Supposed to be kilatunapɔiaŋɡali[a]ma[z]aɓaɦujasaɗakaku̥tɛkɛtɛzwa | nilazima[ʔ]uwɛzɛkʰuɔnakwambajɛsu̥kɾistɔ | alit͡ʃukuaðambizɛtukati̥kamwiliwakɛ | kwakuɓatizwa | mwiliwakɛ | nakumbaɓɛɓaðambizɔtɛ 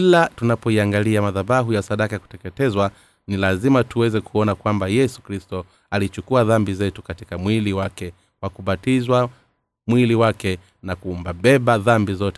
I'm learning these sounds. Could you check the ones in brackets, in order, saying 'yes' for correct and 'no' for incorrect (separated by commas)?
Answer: yes, no, no